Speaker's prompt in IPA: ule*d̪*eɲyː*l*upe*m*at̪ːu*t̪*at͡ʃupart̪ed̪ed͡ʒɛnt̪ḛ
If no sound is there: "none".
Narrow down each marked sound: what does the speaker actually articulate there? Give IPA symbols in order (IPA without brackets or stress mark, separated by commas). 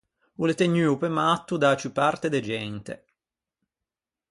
t̪, none, m, d̪